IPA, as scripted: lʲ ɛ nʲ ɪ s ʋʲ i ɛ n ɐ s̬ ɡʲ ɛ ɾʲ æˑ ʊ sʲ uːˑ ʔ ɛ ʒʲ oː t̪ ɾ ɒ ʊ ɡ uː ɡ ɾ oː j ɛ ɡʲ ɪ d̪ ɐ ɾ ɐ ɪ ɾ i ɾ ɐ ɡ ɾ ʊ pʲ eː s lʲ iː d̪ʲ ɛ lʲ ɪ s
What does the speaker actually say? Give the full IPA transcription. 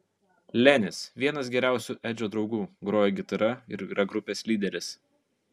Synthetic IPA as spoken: lʲ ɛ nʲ ɪ s ʋʲ i ɛ n ɐ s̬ ɡʲ ɛ ɾʲ æˑ ʊ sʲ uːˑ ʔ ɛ d͡ʒʲ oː d̪ ɾ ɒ ʊ ɡ uː ɡ ɾ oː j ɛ ɡʲ ɪ t̪ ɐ ɾ ɐ ɪ ɾ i ɾ ɐ ɡ ɾ ʊ pʲ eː s lʲ iː d̪ʲ ɛ ɾʲ ɪ s